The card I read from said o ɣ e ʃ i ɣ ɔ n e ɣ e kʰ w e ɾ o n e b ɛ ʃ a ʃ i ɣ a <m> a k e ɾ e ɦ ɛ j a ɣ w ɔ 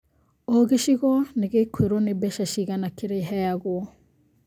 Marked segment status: incorrect: n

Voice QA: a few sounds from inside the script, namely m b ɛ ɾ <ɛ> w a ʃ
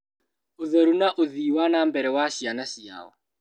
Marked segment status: correct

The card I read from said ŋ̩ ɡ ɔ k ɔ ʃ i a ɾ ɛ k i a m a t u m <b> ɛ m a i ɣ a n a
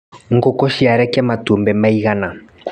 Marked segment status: correct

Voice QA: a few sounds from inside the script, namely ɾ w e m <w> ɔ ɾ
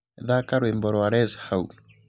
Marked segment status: incorrect: b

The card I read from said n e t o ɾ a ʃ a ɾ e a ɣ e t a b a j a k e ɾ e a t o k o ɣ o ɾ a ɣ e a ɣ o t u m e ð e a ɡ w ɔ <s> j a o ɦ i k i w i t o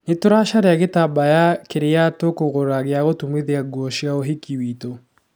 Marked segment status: incorrect: ʃ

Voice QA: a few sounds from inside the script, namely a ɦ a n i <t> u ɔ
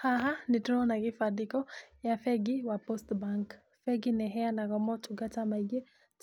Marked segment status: correct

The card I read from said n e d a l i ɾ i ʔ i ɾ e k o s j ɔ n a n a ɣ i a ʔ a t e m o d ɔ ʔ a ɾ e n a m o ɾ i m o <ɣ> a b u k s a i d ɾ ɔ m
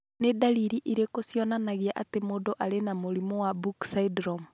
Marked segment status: incorrect: w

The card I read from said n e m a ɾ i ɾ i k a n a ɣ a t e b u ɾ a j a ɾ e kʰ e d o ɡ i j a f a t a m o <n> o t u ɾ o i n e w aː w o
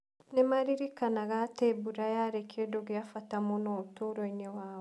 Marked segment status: correct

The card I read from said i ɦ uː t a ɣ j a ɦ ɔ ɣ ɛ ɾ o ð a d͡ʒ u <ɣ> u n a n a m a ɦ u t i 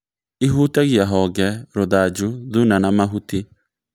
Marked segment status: incorrect: ð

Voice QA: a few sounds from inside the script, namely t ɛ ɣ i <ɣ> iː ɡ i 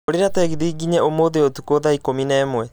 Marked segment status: incorrect: ð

